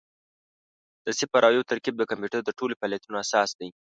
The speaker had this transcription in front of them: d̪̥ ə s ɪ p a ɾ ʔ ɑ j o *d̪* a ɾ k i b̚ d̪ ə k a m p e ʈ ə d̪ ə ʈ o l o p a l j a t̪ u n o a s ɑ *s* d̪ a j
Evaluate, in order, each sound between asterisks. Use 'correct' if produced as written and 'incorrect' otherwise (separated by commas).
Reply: incorrect, correct